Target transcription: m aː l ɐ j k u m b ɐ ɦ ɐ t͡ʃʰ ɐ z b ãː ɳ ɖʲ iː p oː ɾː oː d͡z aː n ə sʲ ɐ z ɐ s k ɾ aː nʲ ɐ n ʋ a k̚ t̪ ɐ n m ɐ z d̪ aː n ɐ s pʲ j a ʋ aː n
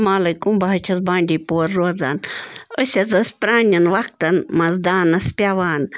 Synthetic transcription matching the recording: m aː l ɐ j k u m b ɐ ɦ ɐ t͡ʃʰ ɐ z b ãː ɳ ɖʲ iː p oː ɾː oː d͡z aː n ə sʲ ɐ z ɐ s p ɾ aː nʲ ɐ n ʋ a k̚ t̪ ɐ n m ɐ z d̪ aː n ɐ s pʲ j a ʋ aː n